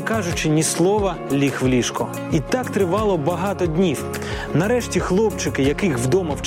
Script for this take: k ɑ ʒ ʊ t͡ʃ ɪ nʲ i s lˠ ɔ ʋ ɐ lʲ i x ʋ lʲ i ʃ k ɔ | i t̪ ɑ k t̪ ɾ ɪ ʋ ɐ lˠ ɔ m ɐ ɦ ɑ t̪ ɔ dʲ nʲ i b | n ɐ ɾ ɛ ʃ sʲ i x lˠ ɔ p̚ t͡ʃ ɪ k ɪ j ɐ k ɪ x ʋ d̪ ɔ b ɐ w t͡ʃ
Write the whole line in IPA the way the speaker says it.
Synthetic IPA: k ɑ ʒ ʊ t͡ʃ ɪ nʲ i s lˠ ɔ ʋ ɐ lʲ i x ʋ lʲ i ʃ k ɔ | i t̪ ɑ k t̪ ɾ ɪ ʋ ɑ lˠ ɔ b ɐ ɦ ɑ t̪ ɔ dʲ nʲ i w | n ɐ ɾ ɛ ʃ tʲ i x lˠ ɔ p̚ t͡ʃ ɪ k ɪ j ɐ k ɪ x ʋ d̪ ɔ m ɐ w t͡ʃ